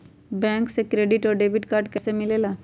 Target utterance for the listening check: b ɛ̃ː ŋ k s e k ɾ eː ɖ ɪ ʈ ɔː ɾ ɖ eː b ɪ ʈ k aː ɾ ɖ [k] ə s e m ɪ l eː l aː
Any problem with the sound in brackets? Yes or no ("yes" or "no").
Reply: no